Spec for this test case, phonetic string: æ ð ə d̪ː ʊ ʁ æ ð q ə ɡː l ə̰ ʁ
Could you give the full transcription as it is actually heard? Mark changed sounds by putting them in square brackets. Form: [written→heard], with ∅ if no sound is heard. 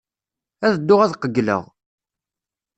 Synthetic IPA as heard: æ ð ə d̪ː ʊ ʁ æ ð q ə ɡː l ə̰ ʁ